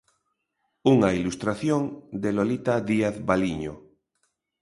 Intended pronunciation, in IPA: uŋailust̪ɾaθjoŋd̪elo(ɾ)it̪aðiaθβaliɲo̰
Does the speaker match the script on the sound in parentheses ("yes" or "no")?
no